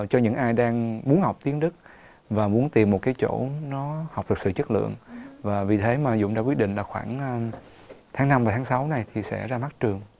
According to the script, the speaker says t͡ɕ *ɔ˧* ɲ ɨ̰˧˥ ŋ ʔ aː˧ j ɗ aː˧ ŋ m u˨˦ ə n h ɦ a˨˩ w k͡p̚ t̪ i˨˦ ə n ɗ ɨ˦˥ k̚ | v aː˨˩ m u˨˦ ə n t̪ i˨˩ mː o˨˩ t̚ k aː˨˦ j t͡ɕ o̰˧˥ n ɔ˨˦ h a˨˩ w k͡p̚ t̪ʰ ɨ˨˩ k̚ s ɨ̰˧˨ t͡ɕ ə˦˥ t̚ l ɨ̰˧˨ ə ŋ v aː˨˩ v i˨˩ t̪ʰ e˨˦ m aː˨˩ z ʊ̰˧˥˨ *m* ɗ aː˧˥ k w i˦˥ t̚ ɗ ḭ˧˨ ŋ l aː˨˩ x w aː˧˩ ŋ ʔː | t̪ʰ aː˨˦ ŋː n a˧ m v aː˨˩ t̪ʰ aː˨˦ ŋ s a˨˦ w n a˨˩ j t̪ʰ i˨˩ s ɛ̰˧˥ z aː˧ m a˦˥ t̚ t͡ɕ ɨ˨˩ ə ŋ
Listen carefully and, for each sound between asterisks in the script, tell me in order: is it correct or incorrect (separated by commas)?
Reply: correct, incorrect